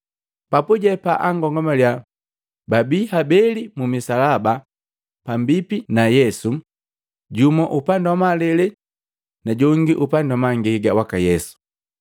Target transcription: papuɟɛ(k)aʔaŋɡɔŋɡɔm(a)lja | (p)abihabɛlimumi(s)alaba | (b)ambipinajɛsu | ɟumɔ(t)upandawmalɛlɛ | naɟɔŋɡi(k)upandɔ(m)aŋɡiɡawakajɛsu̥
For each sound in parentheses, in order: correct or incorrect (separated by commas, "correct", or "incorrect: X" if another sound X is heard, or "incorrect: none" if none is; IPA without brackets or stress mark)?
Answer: incorrect: p, correct, incorrect: b, correct, incorrect: p, incorrect: ʔ, incorrect: ʔ, correct